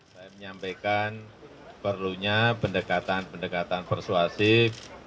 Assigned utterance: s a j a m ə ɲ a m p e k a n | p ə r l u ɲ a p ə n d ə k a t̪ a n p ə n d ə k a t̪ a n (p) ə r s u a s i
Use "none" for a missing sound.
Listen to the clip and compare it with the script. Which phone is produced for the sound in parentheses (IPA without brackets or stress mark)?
p